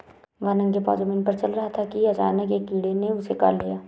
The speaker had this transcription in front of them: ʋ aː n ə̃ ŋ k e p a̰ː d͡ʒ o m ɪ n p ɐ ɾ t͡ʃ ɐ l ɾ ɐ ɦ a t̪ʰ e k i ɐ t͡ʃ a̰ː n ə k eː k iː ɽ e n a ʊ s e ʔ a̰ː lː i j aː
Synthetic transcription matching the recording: ʋ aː n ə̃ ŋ k e p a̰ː d͡ʒ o m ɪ n p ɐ ɾ t͡ʃ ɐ l ɾ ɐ ɦ a t̪ʰ a k i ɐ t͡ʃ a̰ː n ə k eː k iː ɽ e n e ʊ s e k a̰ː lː i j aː